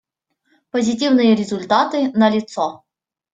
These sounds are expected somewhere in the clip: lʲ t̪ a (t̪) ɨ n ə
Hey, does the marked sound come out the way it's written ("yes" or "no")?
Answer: yes